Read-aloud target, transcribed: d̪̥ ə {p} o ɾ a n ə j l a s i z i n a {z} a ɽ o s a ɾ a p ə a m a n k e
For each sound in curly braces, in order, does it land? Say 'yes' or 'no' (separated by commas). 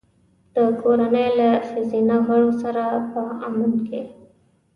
no, no